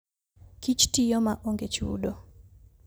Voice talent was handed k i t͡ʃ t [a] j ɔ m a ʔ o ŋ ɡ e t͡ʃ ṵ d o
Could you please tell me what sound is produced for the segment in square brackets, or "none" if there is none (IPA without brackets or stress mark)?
i